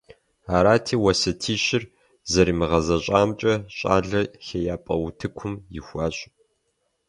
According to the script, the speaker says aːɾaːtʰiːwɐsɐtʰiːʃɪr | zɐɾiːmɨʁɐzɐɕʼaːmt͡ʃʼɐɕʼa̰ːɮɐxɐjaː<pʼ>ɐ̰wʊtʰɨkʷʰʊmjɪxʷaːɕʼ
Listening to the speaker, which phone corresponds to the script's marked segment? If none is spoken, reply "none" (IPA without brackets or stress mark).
pʼ